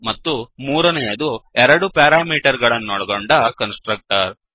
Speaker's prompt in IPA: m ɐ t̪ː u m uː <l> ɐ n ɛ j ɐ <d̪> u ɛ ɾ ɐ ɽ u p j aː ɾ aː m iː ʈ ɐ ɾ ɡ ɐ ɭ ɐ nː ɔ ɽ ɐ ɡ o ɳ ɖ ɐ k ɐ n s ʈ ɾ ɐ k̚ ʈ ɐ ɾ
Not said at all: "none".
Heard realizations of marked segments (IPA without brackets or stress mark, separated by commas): ɾ, d̪